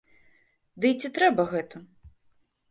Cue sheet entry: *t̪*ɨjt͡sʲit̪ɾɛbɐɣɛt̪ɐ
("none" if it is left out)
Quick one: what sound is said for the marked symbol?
d̪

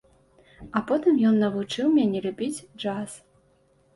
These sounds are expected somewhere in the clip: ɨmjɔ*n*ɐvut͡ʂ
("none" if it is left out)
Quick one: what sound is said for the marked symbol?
nː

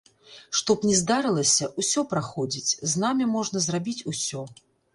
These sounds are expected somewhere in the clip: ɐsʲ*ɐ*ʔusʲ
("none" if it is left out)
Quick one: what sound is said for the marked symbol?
ɐ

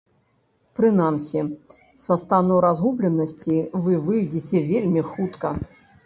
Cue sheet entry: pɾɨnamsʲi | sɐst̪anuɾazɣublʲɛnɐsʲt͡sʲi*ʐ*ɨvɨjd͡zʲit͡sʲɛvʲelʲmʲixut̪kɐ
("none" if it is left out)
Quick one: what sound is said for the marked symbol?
v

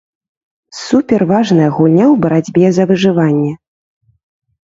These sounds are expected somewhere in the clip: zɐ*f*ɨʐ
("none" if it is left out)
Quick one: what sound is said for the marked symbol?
v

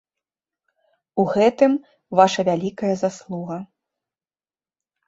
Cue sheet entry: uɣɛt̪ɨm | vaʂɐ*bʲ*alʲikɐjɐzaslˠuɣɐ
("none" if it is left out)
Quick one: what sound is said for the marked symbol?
vʲ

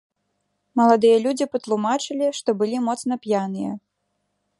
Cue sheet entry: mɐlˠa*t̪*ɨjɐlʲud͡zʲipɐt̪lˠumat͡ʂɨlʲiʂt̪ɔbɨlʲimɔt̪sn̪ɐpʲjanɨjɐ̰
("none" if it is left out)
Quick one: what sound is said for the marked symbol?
d̪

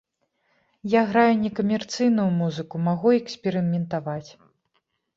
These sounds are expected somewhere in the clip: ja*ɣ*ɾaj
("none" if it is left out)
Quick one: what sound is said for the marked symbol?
ɣ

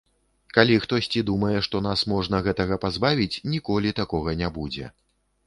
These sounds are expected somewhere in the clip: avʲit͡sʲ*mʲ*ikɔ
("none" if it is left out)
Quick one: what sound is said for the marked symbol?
nʲ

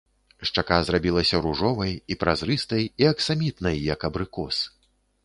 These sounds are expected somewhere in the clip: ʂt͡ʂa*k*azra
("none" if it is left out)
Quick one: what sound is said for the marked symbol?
k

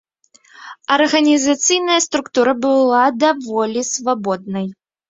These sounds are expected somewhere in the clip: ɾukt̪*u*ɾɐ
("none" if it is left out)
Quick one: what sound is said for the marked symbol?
u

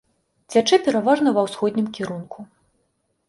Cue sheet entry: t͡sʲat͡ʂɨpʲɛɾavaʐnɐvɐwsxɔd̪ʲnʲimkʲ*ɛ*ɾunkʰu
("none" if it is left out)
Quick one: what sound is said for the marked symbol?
i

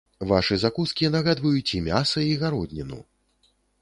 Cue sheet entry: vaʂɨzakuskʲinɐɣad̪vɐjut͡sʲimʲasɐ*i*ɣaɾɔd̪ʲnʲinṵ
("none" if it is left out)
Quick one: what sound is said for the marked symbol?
i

